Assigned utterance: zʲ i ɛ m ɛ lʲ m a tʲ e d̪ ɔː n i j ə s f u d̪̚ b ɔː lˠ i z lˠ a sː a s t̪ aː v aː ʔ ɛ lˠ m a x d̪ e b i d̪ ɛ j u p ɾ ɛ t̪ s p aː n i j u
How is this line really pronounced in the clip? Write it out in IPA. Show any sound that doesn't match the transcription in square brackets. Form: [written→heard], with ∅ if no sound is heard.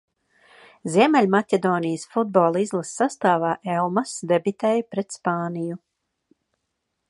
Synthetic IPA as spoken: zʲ i ɛ m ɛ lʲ m a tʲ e d̪ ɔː n i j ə s f u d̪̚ b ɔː lˠ i z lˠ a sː a s t̪ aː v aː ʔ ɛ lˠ m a [x→s] d̪ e b i [d̪→t̪] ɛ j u p ɾ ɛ t̪ s p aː n i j u